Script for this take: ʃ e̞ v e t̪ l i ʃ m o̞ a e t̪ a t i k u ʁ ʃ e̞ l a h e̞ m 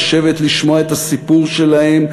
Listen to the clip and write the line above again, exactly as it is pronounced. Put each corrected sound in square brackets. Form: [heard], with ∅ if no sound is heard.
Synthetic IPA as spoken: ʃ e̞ v e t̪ l i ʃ m o̞ a e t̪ a [s] i [p] u ʁ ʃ e̞ l a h e̞ m